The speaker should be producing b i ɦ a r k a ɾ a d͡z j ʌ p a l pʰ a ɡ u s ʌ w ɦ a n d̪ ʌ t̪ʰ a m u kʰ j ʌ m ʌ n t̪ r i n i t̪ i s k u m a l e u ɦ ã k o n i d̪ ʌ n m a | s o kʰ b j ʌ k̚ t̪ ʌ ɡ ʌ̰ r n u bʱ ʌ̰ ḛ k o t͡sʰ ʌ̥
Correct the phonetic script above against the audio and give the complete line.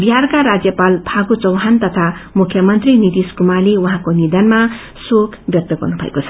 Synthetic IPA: b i ɦ a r k a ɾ a d͡z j ʌ p a l pʰ a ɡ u t͡s ʌ w ɦ a n t̪ ʌ t̪ʰ a m u kʰ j ʌ m ʌ n t̪ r i n i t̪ i s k u m a l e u ɦ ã k o n i d̪ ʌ n m a | s o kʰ b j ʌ k̚ t̪ ʌ ɡ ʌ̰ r n u bʱ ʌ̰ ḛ k o t͡sʰ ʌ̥